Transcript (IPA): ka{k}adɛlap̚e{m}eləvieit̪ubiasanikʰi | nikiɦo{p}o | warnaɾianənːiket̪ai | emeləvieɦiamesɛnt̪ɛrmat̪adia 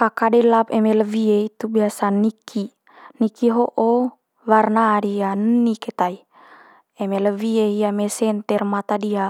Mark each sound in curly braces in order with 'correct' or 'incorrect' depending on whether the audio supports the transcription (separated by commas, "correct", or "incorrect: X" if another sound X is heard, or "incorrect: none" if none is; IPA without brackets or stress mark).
correct, correct, incorrect: ʔ